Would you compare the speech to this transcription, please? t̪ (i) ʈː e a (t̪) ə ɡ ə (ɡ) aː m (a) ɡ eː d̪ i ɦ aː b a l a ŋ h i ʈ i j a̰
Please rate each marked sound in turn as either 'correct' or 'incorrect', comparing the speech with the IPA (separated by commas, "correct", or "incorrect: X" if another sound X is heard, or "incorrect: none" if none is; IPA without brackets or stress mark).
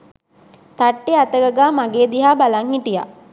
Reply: incorrect: a, correct, correct, correct